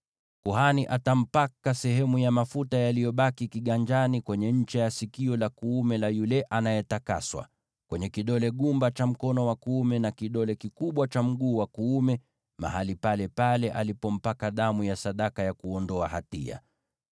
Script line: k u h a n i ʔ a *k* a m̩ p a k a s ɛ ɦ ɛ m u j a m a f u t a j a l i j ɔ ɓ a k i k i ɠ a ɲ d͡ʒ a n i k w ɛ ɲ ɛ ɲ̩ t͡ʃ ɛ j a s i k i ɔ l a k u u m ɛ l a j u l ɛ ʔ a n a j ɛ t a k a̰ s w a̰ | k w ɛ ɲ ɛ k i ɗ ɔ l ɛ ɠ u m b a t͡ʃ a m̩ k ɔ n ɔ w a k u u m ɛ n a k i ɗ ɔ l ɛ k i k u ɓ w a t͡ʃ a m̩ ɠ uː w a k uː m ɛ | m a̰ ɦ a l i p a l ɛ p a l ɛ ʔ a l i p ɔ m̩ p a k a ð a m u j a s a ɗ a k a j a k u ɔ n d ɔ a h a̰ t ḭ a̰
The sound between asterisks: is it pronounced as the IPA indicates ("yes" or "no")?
no